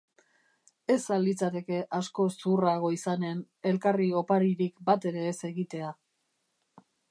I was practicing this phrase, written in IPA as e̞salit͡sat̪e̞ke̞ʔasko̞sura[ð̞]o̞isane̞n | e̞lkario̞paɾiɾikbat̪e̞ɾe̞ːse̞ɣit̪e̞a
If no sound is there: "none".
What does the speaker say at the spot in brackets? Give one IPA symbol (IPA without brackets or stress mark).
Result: ɣ̞